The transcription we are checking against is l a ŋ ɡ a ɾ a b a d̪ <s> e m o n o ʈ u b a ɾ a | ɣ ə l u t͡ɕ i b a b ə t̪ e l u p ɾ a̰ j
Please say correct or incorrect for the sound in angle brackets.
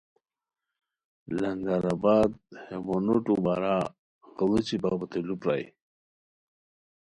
incorrect